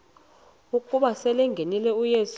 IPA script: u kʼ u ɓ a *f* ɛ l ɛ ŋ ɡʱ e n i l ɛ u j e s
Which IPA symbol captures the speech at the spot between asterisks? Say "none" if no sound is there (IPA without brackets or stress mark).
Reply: s